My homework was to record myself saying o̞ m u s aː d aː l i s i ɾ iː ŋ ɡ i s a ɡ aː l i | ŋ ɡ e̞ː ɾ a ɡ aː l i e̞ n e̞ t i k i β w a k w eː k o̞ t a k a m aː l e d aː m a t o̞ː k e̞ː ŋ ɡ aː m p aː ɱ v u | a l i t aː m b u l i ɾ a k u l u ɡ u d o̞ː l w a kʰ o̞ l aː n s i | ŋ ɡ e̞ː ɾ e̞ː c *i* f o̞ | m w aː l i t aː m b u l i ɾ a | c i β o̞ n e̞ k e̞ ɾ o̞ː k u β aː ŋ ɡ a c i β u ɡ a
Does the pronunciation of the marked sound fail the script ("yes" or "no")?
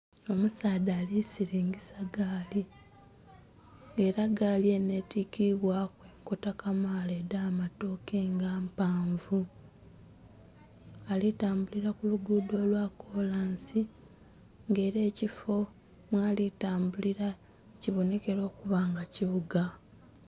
no